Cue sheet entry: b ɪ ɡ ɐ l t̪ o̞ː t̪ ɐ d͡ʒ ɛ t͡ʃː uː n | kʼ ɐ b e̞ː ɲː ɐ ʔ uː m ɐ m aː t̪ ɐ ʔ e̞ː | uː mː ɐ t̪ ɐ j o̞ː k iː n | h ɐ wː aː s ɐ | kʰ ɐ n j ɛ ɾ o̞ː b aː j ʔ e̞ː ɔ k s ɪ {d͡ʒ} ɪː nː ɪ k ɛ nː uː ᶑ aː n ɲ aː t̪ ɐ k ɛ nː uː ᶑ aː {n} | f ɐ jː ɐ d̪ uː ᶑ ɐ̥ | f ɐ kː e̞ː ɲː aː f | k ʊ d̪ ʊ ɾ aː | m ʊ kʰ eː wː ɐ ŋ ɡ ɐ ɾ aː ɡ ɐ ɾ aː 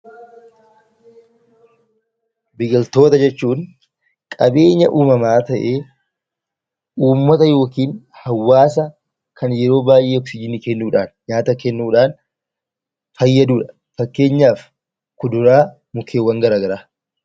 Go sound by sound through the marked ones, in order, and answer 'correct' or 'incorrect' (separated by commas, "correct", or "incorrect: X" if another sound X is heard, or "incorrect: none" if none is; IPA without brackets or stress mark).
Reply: correct, correct